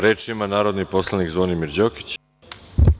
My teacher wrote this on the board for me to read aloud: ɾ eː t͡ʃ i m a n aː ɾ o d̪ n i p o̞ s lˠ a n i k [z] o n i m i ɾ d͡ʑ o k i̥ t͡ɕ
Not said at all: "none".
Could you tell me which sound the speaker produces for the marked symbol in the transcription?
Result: z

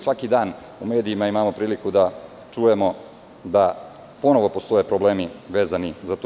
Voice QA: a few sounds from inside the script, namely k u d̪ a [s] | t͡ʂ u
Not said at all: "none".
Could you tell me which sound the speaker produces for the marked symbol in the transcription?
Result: none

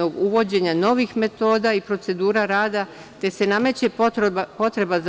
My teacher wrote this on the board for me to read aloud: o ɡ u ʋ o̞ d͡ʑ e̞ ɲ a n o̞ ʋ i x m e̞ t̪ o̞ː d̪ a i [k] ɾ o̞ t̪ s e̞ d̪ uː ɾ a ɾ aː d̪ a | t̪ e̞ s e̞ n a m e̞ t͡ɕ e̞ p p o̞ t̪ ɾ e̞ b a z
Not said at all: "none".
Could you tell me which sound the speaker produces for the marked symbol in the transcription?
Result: p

